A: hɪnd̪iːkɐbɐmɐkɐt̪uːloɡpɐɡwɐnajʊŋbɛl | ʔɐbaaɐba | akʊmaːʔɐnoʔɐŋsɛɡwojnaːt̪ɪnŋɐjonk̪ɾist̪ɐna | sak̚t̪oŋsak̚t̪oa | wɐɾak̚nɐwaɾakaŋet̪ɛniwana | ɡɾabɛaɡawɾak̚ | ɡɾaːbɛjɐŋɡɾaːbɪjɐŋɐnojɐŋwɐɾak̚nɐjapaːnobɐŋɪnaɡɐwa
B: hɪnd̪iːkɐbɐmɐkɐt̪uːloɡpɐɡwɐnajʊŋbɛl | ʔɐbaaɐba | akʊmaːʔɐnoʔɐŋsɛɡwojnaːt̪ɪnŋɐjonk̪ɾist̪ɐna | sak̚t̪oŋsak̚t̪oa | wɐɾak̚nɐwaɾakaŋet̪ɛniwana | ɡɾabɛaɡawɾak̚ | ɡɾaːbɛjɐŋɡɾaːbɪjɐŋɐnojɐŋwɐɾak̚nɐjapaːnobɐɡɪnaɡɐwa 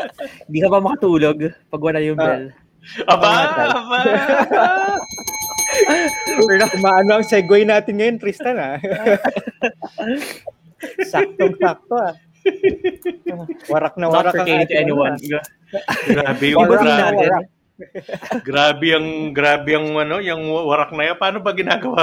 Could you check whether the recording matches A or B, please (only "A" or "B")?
B